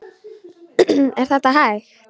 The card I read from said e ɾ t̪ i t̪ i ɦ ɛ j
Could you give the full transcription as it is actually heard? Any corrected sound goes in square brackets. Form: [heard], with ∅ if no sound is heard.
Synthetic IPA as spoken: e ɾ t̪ [a] t̪ [a] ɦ [a] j